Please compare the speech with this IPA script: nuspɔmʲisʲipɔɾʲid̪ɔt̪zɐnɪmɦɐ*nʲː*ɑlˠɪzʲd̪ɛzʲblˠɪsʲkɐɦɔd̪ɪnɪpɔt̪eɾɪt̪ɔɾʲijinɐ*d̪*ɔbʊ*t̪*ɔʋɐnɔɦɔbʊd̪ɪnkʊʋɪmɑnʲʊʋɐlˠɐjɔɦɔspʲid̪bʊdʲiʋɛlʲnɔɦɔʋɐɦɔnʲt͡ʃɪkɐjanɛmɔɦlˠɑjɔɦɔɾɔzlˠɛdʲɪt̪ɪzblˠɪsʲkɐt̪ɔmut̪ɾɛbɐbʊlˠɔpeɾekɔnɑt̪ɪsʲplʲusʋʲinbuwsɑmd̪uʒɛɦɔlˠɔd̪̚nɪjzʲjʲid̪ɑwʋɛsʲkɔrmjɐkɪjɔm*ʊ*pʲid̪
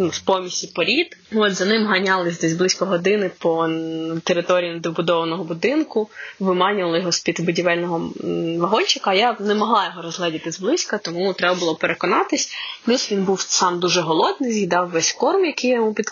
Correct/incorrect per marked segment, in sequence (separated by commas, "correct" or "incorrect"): incorrect, correct, incorrect, incorrect